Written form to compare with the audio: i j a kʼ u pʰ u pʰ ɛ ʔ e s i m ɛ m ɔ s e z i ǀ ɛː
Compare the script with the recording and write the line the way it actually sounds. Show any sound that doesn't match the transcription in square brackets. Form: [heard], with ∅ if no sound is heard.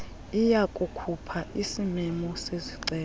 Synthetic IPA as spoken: i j a kʼ u [kʰ] u pʰ [a] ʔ [i] s i m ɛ m ɔ s e z i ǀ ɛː